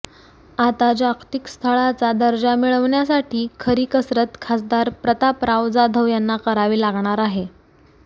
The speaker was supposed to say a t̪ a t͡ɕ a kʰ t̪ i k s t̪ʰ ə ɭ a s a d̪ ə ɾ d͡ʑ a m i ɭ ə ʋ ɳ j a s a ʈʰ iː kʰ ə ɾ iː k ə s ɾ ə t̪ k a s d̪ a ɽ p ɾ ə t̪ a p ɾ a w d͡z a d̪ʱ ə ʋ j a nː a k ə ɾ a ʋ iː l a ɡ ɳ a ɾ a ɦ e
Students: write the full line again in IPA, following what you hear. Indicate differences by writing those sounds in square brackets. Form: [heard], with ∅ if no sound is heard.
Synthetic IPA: a t̪ a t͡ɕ a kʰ t̪ i k s t̪ʰ ə ɭ a [t͡s] a d̪ ə ɾ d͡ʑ a m i ɭ ə ʋ ɳ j a s a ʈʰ iː kʰ ə ɾ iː k ə s ɾ ə t̪ [kʰ] a s d̪ a [ɾ] p ɾ ə t̪ a p ɾ a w d͡z a d̪ʱ ə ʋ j a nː a k ə ɾ a ʋ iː l a ɡ ɳ a ɾ a ɦ e